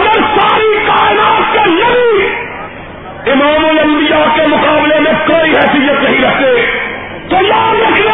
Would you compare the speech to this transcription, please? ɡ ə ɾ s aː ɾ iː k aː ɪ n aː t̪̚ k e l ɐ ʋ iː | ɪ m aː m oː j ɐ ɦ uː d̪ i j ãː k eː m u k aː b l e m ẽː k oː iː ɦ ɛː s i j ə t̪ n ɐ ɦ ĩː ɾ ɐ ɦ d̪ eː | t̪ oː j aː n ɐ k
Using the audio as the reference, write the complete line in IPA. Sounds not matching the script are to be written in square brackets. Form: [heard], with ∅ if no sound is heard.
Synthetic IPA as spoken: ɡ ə ɾ s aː ɾ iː k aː ɪ n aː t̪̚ k e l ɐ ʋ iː | ɪ m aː m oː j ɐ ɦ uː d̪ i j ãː k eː m [ʊ] k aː b l e m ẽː k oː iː ɦ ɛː s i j ə t̪ n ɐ ɦ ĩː ɾ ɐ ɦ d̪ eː | t̪ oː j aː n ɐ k